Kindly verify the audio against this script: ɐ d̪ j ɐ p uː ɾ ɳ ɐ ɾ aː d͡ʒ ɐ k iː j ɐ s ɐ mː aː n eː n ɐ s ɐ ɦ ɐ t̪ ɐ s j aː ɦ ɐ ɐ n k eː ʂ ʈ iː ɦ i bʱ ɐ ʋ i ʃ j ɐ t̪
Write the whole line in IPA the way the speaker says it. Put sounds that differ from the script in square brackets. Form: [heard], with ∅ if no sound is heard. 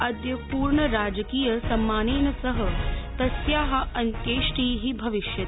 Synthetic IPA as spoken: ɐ d̪ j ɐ p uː ɾ ɳ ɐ ɾ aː d͡ʒ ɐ k iː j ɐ s ɐ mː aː n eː n ɐ s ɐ ɦ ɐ t̪ ɐ s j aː ɦ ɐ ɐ n k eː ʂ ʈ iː ɦ i bʱ ɐ ʋ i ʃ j ɐ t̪